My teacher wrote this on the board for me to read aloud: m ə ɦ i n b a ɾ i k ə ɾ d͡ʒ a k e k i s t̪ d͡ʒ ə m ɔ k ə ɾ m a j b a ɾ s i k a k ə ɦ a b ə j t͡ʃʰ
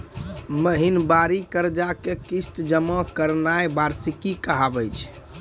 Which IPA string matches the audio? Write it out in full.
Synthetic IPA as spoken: m ə ɦ i n b a ɾ i k ə ɾ d͡ʒ a k e k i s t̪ d͡ʒ ə m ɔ k ə ɾ n a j b a ɾ s i k i k ə ɦ a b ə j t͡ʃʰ